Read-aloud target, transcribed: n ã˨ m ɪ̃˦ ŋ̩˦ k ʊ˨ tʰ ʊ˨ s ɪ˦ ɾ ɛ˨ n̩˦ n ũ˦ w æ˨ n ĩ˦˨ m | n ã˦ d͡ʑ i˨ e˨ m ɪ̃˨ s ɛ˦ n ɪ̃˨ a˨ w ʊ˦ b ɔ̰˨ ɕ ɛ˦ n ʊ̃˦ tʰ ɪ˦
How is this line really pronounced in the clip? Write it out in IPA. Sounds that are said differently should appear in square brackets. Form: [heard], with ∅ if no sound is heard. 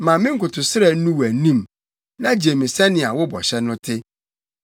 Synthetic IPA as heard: [m] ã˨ m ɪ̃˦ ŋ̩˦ k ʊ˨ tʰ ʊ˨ s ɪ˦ ɾ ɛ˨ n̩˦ n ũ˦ w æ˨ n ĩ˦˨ m | n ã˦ d͡ʑ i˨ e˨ m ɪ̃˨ s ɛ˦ n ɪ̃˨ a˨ w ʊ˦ b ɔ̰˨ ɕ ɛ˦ n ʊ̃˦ tʰ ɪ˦